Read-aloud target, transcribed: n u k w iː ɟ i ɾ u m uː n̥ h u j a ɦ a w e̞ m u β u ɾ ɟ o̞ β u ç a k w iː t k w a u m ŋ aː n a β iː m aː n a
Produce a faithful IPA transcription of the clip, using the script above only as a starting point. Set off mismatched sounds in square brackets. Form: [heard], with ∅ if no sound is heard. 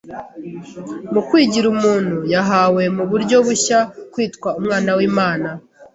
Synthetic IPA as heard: [m] u k w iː ɟ i ɾ u m uː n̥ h u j a ɦ a w e̞ m u β u ɾ ɟ o̞ β u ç a k w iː t k w a u m ŋ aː n a [w] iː m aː n a